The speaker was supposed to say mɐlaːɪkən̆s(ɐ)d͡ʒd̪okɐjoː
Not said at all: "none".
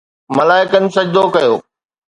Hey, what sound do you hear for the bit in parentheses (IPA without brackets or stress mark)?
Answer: ɐ